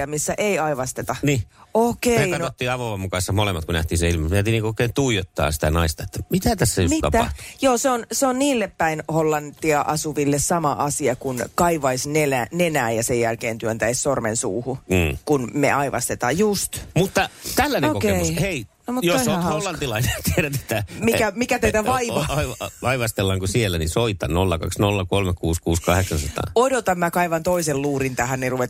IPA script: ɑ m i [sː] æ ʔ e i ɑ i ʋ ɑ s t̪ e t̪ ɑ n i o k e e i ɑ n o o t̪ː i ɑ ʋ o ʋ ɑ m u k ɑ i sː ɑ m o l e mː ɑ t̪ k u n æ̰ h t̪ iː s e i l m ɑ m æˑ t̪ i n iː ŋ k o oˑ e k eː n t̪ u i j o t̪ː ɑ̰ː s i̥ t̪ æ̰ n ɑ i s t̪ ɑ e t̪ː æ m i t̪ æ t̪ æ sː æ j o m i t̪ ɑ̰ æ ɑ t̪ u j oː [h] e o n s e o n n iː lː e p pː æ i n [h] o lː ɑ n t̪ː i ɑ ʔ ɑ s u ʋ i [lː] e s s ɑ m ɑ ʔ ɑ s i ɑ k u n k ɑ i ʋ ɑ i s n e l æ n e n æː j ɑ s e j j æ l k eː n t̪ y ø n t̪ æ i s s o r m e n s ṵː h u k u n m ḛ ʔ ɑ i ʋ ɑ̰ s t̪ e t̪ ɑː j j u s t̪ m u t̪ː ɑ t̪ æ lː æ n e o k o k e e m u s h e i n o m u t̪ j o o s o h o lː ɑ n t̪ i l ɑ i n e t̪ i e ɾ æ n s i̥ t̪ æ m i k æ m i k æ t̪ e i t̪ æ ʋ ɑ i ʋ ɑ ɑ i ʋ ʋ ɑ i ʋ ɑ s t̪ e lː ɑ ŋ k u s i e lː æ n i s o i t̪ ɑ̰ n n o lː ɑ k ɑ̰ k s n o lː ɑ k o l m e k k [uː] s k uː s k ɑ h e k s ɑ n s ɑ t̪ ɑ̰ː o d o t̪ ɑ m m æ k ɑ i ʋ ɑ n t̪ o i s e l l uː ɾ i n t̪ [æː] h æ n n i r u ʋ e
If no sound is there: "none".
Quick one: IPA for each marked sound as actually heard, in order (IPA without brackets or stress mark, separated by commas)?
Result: sː, s, h, lː, uː, æ